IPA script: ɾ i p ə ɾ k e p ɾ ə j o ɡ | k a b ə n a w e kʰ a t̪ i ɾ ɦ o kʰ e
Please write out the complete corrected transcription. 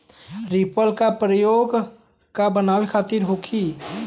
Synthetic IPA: ɾ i p ə l k a p ɾ ə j o ɡ | k a b ə n a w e kʰ a t̪ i ɾ ɦ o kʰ i